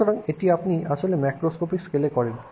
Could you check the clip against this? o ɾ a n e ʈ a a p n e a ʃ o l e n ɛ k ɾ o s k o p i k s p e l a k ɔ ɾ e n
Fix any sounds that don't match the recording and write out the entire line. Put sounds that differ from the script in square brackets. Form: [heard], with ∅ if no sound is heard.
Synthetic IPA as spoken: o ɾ a [ŋ] e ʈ [i] a p n [i] a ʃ o l e [m] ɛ k ɾ o s k o p i k s [k] e l [e] k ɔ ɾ e n